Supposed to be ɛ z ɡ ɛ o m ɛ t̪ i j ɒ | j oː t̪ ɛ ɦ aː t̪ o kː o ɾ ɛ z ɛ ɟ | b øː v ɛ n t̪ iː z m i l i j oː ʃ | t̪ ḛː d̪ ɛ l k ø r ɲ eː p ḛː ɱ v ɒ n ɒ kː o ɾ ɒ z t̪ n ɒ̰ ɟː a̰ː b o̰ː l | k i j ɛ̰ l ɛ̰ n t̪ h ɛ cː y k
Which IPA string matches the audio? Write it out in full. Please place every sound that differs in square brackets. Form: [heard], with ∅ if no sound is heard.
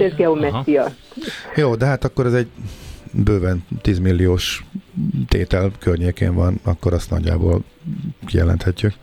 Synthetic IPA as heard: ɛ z ɡ ɛ o m ɛ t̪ i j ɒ | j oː [d̪] ɛ ɦ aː t̪ [ɒ] kː o ɾ ɛ z ɛ ɟ | b øː v ɛ n t̪ iː z m i [lː] i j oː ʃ | t̪ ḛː [t̪] ɛ l k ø r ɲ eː [k] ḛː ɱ v ɒ n ɒ kː o ɾ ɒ [s] t̪ n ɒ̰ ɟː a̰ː b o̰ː l | k i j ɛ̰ l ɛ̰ n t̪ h ɛ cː y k